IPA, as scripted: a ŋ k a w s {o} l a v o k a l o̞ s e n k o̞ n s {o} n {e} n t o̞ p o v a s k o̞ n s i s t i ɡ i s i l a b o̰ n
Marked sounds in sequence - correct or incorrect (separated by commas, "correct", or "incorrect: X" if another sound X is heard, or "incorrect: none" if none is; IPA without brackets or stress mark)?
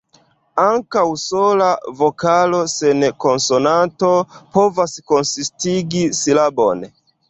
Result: correct, correct, incorrect: a